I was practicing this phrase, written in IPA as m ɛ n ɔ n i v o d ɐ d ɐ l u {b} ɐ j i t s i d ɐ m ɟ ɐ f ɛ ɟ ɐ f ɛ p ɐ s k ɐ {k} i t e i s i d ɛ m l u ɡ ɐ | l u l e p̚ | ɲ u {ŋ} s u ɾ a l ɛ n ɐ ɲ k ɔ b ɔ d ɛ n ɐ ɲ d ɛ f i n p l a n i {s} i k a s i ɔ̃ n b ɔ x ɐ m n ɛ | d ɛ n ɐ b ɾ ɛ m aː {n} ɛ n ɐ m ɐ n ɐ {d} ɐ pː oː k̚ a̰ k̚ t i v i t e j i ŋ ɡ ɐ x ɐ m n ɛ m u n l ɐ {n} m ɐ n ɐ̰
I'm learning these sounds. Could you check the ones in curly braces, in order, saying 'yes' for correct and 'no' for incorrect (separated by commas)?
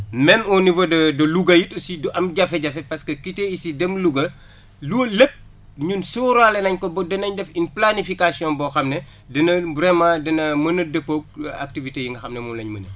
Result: no, yes, no, no, no, yes, no